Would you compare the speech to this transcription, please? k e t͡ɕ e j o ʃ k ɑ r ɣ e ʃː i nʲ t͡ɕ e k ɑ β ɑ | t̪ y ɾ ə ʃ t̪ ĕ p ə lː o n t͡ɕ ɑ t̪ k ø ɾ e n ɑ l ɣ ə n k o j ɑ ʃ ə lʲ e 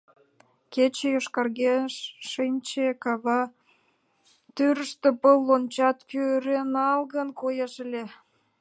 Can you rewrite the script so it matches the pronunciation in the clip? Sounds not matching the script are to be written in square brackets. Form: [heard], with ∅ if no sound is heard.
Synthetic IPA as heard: k e t͡ɕ e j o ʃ k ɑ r ɣ e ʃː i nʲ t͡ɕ e k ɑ β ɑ | t̪ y ɾ ə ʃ t̪ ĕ p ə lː o n t͡ɕ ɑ t̪ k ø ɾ e n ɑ l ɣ ə n k o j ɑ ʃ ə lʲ e